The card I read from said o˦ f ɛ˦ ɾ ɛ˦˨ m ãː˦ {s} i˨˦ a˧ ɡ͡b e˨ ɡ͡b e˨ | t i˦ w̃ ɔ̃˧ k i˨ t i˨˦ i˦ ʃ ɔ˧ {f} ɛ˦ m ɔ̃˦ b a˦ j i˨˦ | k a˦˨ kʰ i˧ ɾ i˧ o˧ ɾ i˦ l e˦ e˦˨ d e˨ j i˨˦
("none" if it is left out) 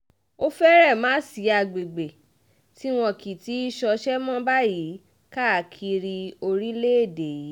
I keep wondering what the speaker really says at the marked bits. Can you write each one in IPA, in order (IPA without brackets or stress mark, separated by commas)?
s, ʃ